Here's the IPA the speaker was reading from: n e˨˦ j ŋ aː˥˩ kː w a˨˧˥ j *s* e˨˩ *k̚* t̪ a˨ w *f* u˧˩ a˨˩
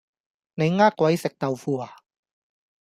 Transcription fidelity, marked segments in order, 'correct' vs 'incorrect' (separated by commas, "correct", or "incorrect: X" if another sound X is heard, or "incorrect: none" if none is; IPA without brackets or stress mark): correct, correct, correct